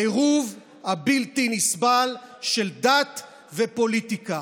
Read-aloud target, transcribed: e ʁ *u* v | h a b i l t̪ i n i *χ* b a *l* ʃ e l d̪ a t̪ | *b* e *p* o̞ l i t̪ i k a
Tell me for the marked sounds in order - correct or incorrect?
correct, incorrect: s, correct, incorrect: v, correct

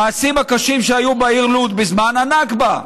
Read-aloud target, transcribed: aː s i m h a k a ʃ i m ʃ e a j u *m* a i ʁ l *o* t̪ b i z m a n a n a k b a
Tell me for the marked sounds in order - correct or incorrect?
incorrect: b, incorrect: u

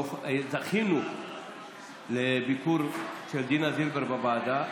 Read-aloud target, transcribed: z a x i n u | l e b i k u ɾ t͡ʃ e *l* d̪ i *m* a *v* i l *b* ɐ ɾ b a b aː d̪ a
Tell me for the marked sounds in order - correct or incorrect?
correct, incorrect: n, incorrect: z, correct

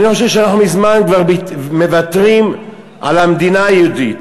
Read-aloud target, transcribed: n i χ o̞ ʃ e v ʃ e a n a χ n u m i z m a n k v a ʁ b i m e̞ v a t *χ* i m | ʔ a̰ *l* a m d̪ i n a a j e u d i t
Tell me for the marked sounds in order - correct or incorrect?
incorrect: ʁ, correct

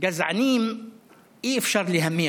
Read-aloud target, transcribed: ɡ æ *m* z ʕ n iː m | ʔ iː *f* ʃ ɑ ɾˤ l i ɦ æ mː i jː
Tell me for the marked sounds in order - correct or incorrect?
incorrect: none, correct

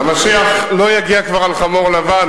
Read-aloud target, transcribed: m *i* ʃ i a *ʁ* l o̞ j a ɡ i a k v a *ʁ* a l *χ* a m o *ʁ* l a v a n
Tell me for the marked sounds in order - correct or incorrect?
incorrect: a, incorrect: χ, correct, correct, correct

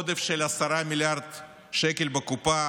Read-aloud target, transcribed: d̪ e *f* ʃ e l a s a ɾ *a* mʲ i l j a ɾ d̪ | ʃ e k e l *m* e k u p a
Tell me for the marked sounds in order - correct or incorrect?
correct, correct, incorrect: b

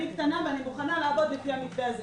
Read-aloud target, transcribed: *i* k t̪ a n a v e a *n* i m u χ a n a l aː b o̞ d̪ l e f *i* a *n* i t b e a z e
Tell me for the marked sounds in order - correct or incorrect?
correct, correct, correct, incorrect: m

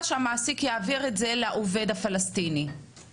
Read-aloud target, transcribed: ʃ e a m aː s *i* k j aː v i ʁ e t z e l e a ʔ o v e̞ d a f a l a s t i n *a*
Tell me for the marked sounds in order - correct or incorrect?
correct, incorrect: i

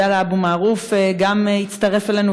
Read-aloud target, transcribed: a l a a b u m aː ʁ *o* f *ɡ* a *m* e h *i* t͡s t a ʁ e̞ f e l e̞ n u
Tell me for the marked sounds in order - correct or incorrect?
incorrect: u, correct, correct, correct

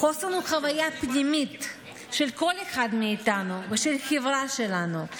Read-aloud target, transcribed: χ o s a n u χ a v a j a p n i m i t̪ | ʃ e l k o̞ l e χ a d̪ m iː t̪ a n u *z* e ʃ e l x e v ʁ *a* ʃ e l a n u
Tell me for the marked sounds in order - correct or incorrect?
incorrect: v, correct

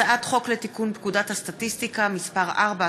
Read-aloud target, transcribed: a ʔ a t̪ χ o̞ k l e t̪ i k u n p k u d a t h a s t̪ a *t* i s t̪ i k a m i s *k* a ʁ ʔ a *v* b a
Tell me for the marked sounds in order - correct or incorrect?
correct, incorrect: p, incorrect: ʁ

